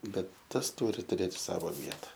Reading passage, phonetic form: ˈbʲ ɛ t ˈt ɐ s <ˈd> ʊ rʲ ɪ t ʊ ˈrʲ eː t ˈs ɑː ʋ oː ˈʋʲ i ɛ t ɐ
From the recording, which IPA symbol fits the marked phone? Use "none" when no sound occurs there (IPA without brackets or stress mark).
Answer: t